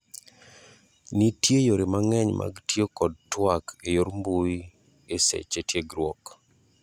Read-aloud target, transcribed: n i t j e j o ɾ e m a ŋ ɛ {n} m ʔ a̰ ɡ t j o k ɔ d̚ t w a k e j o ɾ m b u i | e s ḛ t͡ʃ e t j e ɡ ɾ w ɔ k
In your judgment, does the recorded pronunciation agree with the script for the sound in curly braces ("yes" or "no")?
no